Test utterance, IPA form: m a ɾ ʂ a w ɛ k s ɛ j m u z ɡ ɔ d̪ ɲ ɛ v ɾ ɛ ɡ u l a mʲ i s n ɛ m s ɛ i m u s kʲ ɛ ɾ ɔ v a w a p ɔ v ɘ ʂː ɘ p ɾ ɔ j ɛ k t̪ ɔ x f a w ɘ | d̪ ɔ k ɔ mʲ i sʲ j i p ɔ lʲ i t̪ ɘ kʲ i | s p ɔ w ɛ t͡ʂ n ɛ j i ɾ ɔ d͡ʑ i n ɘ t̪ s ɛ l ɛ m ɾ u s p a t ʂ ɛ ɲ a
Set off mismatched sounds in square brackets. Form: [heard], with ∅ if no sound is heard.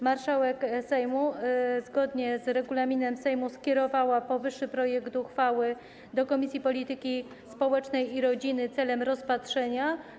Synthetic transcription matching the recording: m a ɾ ʂ a w ɛ k s ɛ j m u z ɡ ɔ d̪ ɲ ɛ [z] ɾ ɛ ɡ u l a mʲ i [∅] n ɛ m s ɛ [j] m u s kʲ ɛ ɾ ɔ v a w a p ɔ v ɘ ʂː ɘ p ɾ ɔ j ɛ k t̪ [u] x f a w ɘ | d̪ ɔ k ɔ mʲ i sʲ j i p ɔ lʲ i t̪ ɘ kʲ i | s p ɔ w ɛ t͡ʂ n ɛ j i ɾ ɔ d͡ʑ i n ɘ t̪ s ɛ l ɛ m ɾ [ɔ] s p a t ʂ ɛ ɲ a